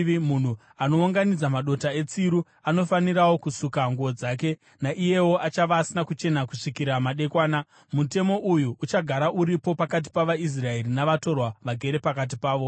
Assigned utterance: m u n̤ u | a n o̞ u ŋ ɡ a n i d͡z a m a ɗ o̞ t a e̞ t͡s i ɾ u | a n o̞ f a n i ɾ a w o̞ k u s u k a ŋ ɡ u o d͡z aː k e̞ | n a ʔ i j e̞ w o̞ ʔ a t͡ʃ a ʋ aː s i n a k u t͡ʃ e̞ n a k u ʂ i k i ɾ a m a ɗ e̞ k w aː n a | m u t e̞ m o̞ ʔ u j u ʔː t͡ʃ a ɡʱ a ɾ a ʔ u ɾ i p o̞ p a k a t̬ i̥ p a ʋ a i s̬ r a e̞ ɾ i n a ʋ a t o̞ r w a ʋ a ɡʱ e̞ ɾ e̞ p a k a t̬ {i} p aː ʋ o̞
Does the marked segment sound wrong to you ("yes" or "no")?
no